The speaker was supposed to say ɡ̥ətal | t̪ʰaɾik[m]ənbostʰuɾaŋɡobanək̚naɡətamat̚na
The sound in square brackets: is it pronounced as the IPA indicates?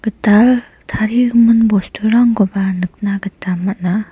yes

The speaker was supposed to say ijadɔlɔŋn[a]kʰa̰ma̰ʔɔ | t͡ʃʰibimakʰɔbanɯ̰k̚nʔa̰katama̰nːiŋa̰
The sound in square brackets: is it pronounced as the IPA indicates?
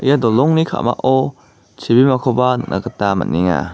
no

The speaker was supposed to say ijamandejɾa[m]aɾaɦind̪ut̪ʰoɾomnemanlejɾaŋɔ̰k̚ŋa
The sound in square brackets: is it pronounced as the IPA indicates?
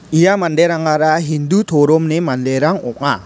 no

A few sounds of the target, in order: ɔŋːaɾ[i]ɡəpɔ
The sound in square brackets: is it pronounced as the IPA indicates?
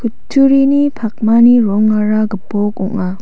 no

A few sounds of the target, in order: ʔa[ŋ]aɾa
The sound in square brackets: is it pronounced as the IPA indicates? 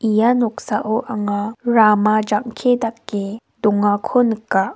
yes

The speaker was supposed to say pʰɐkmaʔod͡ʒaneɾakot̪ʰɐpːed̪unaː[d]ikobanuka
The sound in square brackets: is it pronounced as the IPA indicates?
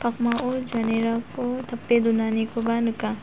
no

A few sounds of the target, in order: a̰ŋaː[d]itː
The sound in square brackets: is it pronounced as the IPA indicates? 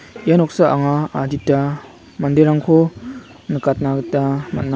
yes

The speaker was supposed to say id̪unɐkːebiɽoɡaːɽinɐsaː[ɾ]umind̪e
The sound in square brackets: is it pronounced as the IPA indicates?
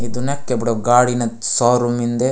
yes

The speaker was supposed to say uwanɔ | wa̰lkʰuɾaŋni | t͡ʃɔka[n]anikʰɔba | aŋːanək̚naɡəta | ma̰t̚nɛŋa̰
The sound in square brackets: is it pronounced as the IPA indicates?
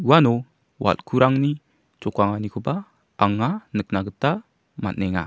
no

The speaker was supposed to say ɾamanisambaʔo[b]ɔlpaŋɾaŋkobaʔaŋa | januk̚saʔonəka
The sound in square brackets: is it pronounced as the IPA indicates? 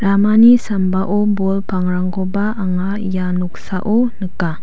yes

